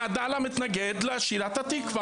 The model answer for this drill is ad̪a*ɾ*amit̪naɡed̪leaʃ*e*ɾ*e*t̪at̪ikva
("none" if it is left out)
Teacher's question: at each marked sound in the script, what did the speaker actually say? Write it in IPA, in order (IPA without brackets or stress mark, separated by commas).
l, i, a